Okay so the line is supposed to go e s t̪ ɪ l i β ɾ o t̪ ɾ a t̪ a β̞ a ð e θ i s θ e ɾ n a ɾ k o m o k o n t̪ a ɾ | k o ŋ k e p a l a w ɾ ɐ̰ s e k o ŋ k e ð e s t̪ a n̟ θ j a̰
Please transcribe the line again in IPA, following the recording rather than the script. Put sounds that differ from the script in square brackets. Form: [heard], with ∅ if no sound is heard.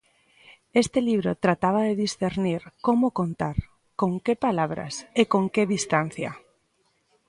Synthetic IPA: e s t̪ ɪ l i β ɾ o t̪ ɾ a t̪ a β̞ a ð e [ð] i s θ e ɾ n [i] ɾ k o m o k o n t̪ a ɾ | k o ŋ k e p a l a [β] ɾ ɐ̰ s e k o ŋ k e ð [i] s t̪ a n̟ θ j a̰